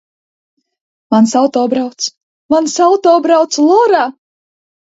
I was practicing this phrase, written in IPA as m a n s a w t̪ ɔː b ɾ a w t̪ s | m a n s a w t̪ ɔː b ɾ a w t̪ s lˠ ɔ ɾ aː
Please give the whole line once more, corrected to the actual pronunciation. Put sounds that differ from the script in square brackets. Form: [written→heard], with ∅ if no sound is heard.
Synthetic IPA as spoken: m a n s a w t̪ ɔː b ɾ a w t̪ s | m a n s a w t̪ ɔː b ɾ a w t̪ s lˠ ɔ ɾ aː